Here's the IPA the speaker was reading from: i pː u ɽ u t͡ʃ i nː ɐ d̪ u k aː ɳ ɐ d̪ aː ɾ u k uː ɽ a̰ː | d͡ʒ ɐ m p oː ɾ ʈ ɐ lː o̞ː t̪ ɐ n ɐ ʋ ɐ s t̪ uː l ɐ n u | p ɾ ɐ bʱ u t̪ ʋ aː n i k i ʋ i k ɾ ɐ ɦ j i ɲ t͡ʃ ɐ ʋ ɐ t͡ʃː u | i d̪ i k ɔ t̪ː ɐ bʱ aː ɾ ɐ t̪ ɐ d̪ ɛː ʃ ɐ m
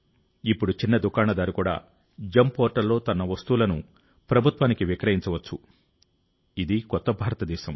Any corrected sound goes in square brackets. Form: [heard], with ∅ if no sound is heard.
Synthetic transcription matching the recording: i pː u ɽ u t͡ʃ i nː ɐ d̪ u k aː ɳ ɐ d̪ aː ɾ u k uː ɽ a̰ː | d͡ʒ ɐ m p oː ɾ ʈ ɐ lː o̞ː t̪ ɐ n ɐ ʋ ɐ s t̪ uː l ɐ n u | p ɾ ɐ bʱ u t̪ ʋ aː n i k i ʋ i k ɾ ɐ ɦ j i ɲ t͡ʃ ɐ ʋ ɐ t͡ʃː u | i d̪ i k ɔ t̪ː ɐ bʱ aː ɾ ɐ t̪ ɐ d̪ ɛː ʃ ɐ m